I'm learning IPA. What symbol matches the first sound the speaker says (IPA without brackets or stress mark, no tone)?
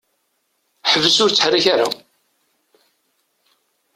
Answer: ħ